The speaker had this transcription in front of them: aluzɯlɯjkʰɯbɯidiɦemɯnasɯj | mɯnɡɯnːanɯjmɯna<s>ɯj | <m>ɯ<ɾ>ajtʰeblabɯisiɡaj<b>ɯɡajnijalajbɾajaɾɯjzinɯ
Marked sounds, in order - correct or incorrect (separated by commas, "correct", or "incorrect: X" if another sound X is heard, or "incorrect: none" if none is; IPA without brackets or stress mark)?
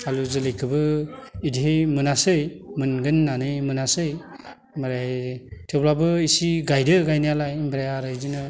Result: correct, correct, correct, incorrect: d